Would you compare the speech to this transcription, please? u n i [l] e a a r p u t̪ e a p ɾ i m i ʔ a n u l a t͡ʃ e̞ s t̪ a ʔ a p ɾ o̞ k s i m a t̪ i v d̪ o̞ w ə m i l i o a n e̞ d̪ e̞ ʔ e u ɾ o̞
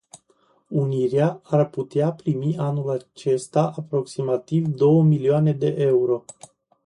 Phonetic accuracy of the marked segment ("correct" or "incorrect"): incorrect